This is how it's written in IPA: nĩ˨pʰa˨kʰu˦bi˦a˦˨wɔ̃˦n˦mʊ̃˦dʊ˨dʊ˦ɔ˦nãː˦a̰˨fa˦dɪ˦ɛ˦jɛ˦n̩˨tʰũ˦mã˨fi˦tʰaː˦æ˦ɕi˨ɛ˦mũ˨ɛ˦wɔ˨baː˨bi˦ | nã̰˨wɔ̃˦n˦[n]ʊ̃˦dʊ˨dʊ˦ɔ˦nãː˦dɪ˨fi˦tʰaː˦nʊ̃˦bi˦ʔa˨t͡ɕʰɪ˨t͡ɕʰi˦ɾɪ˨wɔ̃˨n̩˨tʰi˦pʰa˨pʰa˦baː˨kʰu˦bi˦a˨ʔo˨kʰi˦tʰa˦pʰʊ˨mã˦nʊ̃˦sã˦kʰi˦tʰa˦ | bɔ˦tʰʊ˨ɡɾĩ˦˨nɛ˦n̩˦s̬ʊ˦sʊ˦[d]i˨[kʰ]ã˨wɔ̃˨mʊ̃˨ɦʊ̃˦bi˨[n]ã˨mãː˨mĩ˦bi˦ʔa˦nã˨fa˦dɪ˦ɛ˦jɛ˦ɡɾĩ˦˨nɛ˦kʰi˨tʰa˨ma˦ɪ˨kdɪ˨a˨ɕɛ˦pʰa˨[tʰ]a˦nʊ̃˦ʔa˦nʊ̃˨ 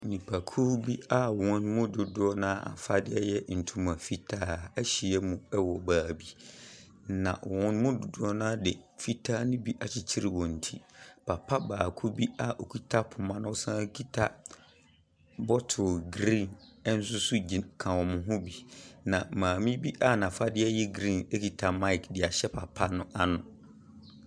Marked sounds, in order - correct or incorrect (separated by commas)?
incorrect, incorrect, correct, correct, incorrect